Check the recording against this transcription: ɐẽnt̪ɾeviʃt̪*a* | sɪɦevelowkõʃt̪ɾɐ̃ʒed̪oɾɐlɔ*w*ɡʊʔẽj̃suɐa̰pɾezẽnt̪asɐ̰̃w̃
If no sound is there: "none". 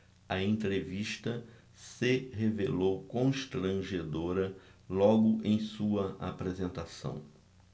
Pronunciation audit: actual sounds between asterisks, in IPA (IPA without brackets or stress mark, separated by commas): ɐ, none